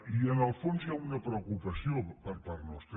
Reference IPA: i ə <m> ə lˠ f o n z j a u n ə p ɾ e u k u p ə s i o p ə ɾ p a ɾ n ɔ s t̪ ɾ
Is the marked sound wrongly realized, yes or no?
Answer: yes